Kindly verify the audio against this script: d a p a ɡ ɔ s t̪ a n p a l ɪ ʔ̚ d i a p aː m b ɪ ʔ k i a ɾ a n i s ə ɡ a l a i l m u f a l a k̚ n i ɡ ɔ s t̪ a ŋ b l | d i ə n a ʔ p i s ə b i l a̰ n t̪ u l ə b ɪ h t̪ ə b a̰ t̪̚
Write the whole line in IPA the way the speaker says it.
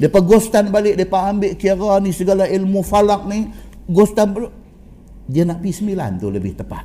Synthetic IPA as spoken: d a p a ɡ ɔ s t̪ a n b a l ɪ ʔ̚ d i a p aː m b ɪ ʔ k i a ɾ a n i s ə ɡ a l a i l m u f a l a k̚ n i ɡ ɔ s t̪ a n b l | d i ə n a ʔ p i s ə m i l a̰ n t̪ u l ə b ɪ h t̪ ə p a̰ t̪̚